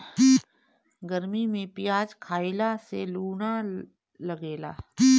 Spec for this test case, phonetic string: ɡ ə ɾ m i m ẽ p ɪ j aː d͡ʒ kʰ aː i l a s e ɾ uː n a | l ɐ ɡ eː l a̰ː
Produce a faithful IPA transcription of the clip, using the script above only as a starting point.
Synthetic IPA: ɡ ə ɾ m i m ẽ p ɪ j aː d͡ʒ kʰ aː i l a s e l uː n a | l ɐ ɡ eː l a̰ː

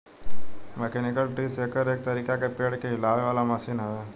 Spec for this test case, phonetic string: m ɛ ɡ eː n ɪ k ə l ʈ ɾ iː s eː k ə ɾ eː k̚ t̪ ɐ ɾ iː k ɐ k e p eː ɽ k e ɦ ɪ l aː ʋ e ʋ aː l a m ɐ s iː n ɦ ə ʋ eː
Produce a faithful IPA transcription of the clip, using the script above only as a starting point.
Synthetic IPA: m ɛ k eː n ɪ k ə l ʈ ɾ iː s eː k ə ɾ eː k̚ t̪ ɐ ɾ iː k a k e p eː ɽ k e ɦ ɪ l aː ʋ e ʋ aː l a m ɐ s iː n ɦ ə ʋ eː

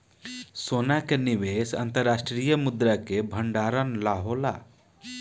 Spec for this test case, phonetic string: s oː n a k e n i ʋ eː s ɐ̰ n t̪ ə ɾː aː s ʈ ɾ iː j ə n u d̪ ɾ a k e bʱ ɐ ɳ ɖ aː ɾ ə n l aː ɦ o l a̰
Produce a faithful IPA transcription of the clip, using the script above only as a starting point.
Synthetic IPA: s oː n a k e n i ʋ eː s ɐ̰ n t̪ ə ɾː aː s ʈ ɾ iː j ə m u d̪ ɾ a k e bʱ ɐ ɳ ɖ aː ɾ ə n l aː ɦ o l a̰

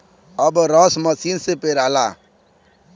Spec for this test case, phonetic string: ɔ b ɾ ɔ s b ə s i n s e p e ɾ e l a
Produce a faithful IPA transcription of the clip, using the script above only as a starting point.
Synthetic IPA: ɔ b ɾ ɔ s m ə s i n s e p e ɾ a l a

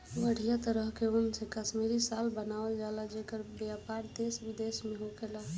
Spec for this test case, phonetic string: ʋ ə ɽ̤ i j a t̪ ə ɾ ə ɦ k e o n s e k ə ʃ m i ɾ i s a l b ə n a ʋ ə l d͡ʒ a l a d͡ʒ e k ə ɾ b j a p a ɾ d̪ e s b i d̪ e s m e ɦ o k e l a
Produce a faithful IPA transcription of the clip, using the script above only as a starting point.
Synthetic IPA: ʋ ə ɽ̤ i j a t̪ ə ɾ ə ɦ k e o n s e k ə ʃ m i ɾ i s a l b ə n a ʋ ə l d͡ʒ a l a d͡ʒ e k ə ɾ b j a p a ɾ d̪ e s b i d̪ e s m e ɦ o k e l a

